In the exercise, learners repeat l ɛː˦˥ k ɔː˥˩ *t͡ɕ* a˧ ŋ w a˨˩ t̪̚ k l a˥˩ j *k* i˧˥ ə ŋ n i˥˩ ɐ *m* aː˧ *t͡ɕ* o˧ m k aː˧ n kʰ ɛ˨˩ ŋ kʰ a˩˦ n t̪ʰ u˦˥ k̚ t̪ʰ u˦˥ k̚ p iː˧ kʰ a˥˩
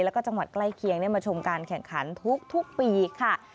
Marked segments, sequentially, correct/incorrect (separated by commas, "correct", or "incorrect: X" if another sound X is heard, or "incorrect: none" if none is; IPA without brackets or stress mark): correct, incorrect: kʰ, correct, incorrect: t͡ɕʰ